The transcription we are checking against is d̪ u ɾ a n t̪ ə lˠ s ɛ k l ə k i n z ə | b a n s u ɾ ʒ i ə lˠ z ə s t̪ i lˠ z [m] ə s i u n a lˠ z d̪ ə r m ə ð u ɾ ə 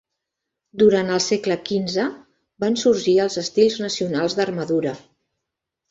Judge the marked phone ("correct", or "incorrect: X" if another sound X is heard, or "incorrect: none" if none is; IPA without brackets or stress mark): incorrect: n